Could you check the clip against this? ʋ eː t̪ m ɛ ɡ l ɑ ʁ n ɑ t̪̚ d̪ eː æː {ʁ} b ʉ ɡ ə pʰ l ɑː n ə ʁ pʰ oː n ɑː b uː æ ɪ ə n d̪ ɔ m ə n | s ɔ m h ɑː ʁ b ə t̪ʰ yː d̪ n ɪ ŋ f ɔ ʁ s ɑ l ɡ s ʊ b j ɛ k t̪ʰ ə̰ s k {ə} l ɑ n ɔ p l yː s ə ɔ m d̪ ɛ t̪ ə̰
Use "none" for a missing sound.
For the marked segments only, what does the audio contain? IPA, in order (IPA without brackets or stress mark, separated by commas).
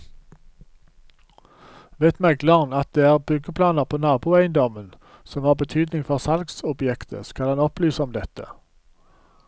ʁ, ɑ